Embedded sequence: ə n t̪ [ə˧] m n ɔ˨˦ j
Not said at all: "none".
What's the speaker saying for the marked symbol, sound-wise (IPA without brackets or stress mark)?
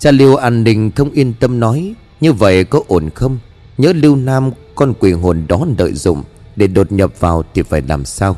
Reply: ə˧